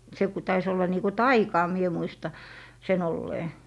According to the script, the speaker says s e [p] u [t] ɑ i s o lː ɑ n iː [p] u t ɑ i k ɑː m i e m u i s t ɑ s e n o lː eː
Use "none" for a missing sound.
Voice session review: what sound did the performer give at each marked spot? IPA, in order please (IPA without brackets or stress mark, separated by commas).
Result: k, t, k